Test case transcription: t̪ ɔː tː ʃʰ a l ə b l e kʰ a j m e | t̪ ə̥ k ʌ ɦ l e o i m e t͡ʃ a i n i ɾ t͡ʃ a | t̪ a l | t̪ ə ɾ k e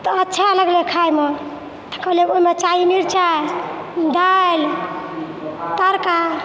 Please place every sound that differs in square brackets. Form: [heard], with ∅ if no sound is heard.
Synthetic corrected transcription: t̪ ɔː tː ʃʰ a l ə [ɡ] l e kʰ a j m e | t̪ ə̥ k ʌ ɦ l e o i m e t͡ʃ a i n i ɾ t͡ʃ a | [d̪] a l | t̪ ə ɾ k [a]